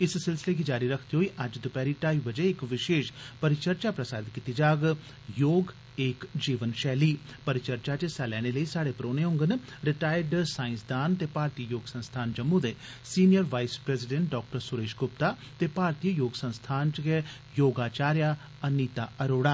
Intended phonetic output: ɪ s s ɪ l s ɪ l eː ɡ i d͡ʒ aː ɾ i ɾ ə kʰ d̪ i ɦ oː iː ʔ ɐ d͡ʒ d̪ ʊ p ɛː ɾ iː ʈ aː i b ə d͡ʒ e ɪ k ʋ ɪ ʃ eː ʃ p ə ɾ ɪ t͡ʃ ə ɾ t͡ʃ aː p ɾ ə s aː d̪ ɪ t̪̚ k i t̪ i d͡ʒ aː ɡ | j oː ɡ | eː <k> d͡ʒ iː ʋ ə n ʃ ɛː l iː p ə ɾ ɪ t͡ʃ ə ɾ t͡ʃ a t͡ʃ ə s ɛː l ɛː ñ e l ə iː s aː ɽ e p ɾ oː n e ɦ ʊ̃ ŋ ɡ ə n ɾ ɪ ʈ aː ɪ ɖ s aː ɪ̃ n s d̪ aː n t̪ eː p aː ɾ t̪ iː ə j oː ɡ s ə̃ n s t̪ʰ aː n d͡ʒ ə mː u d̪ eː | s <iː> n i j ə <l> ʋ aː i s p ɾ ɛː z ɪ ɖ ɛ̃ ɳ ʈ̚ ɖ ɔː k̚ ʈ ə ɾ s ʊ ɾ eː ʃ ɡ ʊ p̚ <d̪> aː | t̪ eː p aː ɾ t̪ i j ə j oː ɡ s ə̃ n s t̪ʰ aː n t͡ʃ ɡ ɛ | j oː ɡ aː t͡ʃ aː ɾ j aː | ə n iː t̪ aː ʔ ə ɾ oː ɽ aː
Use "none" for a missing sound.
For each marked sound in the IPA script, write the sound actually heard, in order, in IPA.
k, iː, ɾ, t̪

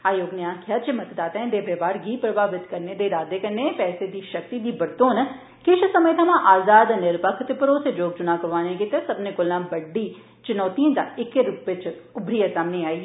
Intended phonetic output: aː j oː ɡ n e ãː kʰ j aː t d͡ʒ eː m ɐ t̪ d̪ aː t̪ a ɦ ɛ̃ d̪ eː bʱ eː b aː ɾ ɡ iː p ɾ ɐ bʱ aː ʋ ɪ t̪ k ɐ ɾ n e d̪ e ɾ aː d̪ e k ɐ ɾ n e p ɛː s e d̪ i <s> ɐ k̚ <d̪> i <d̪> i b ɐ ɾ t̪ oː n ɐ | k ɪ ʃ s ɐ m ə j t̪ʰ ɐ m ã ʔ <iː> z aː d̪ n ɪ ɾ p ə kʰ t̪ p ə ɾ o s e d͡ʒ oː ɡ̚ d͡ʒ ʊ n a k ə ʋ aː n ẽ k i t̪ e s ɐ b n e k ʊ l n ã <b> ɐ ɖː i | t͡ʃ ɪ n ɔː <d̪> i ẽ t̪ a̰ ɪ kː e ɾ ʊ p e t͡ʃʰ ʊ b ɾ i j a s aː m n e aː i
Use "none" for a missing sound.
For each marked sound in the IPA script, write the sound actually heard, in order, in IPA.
ʃ, t̪, d̪, aː, b, t̪

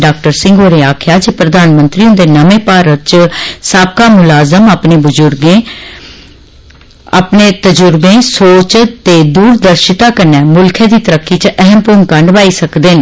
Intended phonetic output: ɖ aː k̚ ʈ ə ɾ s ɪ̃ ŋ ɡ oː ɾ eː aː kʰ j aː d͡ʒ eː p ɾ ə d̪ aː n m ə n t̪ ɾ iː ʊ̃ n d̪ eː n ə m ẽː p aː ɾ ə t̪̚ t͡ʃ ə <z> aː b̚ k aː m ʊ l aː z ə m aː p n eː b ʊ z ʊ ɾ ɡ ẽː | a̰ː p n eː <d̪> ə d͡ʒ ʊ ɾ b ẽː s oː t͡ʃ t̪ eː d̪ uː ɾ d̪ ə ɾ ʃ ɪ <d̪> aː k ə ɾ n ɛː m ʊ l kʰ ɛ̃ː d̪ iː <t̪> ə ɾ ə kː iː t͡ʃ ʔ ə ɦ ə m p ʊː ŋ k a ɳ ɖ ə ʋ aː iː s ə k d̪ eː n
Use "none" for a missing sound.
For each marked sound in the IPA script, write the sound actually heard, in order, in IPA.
s, t̪, t̪, t̪

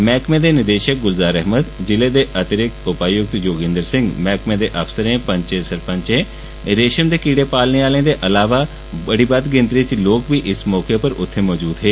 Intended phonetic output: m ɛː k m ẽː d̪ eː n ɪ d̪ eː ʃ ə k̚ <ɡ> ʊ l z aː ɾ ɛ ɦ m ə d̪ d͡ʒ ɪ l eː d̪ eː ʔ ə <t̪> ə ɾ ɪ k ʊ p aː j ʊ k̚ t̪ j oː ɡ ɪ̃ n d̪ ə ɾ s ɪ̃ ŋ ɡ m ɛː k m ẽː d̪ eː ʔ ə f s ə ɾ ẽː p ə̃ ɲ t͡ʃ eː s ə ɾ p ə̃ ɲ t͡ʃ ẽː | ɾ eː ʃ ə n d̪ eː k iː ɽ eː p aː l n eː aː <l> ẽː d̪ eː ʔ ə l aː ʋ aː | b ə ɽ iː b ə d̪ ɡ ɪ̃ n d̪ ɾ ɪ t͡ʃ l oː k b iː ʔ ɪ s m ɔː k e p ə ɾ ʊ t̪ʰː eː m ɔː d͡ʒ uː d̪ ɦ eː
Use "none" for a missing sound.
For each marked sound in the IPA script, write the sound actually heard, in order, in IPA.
ɡ, t̪, l

